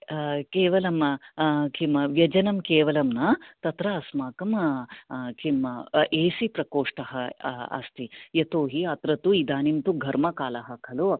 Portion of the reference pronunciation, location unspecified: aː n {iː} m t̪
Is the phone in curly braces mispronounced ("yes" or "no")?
yes